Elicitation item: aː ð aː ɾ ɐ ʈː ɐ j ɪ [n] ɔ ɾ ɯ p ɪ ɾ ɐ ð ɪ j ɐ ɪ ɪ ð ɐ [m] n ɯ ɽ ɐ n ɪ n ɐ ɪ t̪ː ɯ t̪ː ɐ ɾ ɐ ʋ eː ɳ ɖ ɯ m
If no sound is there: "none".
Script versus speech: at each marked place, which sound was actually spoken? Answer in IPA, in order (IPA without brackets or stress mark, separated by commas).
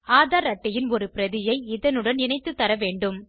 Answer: n, none